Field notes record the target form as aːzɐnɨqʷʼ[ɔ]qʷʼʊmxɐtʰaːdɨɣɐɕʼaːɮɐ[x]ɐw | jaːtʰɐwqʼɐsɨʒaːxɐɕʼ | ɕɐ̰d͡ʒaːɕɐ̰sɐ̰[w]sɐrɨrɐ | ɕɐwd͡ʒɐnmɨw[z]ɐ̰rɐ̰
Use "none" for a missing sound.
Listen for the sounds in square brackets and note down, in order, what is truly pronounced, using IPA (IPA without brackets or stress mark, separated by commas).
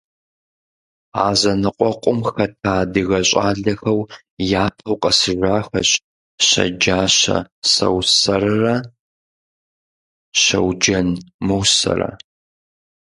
ɔ, x, w, s